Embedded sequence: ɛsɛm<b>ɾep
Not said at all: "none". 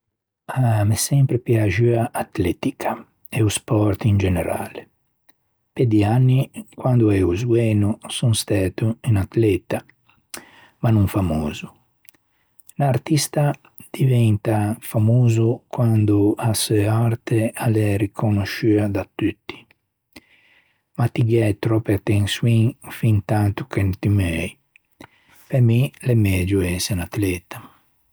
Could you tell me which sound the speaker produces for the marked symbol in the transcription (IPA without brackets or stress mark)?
p